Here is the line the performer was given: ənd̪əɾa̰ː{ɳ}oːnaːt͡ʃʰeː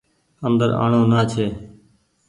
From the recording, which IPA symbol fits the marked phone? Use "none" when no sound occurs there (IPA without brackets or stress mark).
ɳ